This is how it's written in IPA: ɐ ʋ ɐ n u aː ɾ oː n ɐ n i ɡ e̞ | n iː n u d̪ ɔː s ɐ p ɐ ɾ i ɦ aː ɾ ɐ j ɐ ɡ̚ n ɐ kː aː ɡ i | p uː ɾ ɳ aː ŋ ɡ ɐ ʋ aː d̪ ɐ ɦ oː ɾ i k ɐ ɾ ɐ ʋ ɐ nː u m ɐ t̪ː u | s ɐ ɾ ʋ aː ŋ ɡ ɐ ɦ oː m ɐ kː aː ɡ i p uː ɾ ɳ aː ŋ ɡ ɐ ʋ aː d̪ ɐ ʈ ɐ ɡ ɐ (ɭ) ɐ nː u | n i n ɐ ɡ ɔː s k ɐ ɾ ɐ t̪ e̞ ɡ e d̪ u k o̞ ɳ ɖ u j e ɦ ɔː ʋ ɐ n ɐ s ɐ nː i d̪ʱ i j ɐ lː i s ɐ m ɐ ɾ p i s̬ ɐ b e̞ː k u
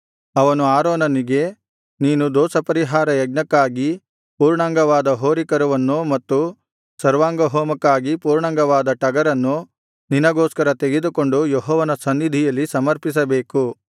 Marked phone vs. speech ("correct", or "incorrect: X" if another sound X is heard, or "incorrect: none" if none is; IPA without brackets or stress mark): incorrect: ɾ